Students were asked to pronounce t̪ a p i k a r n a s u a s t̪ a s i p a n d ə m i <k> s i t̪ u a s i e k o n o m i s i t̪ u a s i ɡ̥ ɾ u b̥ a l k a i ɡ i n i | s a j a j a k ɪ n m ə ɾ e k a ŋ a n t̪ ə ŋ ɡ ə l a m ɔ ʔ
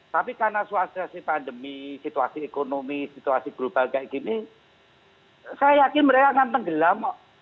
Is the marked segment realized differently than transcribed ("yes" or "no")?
yes